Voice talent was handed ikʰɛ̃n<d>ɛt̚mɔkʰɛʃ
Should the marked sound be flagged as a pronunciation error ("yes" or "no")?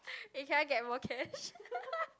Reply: yes